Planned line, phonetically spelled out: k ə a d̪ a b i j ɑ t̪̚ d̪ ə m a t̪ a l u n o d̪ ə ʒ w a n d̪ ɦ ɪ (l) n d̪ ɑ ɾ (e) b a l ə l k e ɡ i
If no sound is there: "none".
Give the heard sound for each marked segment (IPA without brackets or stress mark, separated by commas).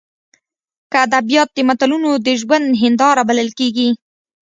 none, a